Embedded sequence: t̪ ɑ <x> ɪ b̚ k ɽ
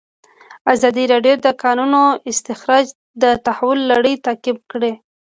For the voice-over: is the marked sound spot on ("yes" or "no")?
no